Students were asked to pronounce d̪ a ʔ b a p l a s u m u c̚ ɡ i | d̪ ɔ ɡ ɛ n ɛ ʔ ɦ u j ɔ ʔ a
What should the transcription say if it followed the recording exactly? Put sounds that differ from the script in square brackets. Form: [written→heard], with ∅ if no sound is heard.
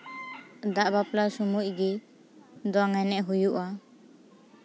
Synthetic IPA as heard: d̪ a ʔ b a p l a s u m u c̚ ɡ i | d̪ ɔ [ɡ→ŋ] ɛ n ɛ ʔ ɦ u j [ɔ→u] ʔ a